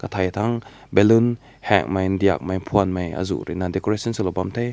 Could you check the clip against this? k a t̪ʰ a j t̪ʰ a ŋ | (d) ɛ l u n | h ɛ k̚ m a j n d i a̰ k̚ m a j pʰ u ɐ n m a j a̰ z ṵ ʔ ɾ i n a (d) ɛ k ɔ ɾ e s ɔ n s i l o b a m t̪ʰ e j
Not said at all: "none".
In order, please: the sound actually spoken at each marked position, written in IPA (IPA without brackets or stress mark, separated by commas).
b, d